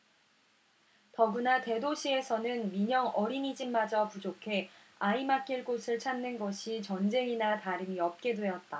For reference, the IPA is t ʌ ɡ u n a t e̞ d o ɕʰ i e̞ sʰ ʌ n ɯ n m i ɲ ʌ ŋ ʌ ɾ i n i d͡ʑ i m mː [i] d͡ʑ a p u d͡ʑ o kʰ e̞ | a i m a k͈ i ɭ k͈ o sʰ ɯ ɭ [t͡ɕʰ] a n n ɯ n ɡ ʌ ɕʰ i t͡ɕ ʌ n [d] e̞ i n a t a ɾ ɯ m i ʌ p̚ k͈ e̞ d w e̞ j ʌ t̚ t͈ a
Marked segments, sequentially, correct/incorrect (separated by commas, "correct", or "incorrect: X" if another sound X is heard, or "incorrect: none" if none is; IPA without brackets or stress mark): incorrect: a, correct, incorrect: d͡ʑ